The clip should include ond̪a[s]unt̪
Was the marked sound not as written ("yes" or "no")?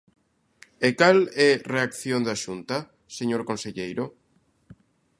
yes